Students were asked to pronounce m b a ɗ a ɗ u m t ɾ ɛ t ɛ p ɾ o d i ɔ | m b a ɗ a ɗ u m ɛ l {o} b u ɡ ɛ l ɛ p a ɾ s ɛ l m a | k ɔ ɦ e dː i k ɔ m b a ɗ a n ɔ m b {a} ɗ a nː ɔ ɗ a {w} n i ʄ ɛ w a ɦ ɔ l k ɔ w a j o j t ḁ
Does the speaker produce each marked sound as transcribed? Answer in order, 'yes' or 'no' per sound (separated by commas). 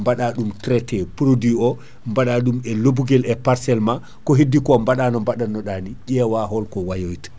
yes, yes, no